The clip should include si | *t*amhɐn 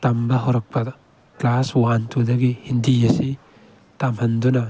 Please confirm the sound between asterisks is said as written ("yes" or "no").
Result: yes